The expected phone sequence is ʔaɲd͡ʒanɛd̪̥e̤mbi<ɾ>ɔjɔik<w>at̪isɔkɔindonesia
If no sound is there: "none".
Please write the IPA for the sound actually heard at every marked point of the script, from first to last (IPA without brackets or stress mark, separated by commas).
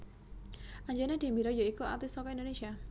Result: ɾ, u